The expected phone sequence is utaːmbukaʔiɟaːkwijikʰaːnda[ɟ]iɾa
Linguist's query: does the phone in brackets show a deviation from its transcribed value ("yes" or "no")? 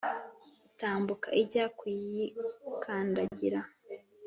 no